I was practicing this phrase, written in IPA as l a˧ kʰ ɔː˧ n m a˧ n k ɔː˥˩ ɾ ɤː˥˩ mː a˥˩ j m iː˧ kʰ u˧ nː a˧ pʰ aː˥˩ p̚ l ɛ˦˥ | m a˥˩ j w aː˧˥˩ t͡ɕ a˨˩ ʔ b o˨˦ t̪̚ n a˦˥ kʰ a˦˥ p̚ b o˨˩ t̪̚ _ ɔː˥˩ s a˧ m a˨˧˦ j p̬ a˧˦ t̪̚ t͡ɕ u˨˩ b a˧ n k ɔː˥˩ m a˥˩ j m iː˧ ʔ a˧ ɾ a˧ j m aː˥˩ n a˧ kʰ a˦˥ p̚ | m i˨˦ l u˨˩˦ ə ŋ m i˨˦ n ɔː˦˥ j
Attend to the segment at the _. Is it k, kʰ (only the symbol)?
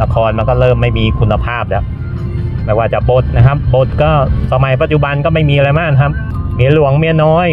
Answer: k